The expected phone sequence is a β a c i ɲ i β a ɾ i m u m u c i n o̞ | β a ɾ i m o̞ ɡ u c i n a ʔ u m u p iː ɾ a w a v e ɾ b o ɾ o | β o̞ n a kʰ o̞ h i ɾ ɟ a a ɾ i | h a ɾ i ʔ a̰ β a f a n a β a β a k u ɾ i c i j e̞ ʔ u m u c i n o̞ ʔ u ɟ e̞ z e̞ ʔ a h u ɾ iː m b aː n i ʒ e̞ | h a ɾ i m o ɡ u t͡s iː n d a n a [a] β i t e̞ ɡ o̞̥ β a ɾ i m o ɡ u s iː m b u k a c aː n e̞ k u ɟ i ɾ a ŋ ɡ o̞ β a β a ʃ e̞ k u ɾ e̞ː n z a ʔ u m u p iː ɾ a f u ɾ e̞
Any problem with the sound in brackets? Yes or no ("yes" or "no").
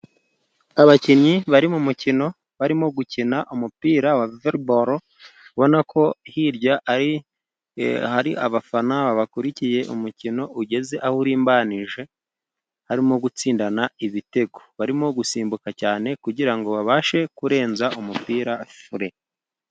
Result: yes